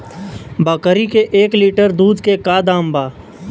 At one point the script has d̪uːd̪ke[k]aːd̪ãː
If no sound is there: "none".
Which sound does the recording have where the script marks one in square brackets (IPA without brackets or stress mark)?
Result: k